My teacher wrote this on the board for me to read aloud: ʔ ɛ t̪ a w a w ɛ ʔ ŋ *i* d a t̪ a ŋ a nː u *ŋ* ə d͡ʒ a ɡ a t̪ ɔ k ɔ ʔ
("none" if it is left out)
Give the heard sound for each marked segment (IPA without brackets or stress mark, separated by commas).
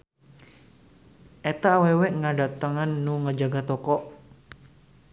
a, ŋ